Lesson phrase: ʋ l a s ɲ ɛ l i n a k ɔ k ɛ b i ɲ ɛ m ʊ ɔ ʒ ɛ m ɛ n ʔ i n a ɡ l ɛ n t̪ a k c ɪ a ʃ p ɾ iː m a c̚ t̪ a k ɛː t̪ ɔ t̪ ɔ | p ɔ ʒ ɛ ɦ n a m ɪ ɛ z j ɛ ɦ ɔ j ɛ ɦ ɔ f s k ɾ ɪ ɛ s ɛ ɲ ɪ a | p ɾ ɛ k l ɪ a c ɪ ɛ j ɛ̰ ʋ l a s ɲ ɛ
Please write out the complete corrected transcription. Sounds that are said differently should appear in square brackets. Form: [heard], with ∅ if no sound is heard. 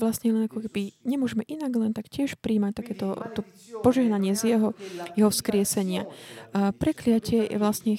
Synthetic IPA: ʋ l a s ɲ ɛ l [ɛ] n a k ɔ k ɛ b i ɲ ɛ m ʊ ɔ ʒ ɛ m ɛ [∅] ʔ i n a ɡ l ɛ n t̪ a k c ɪ [ɛ] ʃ p ɾ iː m a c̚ t̪ a k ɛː t̪ ɔ t̪ ɔ | p ɔ ʒ ɛ ɦ n a [ɲ] ɪ ɛ z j ɛ ɦ ɔ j ɛ ɦ ɔ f s k ɾ ɪ ɛ s ɛ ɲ ɪ a | p ɾ ɛ k l ɪ a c ɪ ɛ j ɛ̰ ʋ l a s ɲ ɛ